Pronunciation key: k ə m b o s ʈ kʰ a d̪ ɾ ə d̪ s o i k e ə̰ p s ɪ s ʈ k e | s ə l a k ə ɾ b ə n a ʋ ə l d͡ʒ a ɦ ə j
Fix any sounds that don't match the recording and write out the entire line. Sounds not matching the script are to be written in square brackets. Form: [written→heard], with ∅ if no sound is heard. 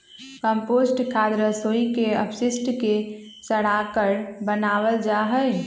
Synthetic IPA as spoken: k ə m [b→p] o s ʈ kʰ a d̪ ɾ ə [d̪→∅] s o i k e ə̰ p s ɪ s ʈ k e | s ə [l→ɽ] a k ə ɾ b ə n a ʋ ə l d͡ʒ a ɦ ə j